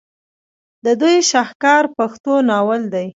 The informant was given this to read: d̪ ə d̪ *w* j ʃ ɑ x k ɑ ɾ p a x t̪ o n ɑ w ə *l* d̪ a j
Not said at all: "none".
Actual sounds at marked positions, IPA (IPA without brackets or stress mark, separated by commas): u, l